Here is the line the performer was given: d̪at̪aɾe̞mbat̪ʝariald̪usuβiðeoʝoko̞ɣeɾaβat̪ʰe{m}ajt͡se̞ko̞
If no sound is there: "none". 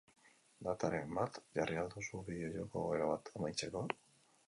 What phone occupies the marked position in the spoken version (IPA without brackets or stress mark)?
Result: m